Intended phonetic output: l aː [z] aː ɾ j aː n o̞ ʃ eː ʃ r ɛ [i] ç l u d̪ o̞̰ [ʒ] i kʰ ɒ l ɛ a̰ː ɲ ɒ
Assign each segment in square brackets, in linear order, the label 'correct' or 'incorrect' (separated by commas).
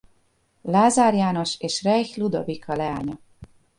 correct, incorrect, incorrect